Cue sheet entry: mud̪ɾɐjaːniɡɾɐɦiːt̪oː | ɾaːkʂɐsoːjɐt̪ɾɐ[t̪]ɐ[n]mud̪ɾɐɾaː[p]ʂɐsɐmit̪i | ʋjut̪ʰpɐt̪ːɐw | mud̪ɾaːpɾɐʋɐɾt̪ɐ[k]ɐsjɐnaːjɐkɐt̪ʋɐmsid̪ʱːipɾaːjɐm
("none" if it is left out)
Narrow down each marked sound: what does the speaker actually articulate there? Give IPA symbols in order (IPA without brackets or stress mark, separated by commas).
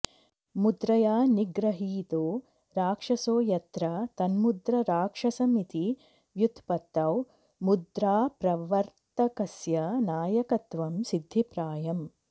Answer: t̪, n, k, k